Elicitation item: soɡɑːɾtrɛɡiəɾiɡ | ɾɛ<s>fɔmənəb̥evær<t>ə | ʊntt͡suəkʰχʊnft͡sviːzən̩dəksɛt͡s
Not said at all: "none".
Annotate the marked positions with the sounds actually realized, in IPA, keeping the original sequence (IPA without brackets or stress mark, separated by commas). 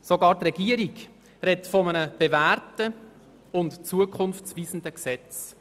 t, t